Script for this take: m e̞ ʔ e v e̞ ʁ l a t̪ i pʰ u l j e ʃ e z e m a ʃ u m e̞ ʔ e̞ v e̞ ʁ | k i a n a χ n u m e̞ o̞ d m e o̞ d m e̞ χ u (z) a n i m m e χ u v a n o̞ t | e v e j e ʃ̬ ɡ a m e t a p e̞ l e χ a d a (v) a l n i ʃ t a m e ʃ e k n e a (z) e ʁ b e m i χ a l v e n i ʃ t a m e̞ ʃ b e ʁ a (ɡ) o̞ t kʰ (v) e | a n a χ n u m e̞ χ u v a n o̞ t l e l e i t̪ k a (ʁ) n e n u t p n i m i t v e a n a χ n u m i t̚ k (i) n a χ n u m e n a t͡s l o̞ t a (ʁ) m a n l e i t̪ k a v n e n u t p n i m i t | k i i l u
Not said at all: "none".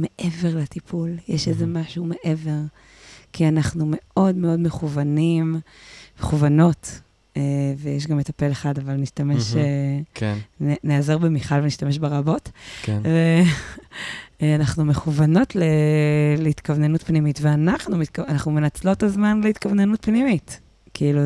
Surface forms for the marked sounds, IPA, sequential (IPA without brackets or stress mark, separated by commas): v, v, z, b, v, v, a, z